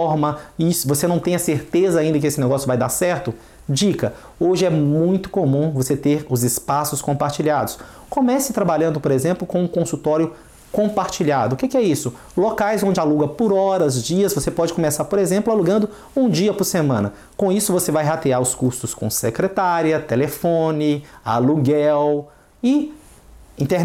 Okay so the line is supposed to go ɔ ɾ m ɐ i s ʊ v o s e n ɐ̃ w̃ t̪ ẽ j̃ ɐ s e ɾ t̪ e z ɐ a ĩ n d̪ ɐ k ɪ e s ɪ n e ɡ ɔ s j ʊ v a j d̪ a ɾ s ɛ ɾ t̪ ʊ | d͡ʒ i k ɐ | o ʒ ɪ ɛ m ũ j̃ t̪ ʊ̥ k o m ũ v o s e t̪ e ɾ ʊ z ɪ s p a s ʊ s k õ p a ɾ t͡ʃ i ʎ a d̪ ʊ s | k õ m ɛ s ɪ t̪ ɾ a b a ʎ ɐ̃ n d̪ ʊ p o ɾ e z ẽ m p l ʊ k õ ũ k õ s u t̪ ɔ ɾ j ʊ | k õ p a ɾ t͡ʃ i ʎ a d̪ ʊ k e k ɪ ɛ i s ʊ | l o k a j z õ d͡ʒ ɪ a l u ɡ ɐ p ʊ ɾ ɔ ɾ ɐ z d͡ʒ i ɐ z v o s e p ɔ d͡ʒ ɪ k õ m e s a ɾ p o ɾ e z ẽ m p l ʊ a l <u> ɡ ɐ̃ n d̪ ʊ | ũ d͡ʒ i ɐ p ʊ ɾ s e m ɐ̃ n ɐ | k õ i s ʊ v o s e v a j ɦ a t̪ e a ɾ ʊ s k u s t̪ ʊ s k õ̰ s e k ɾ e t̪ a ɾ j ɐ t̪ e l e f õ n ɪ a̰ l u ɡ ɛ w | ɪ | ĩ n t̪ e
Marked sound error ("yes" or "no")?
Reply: no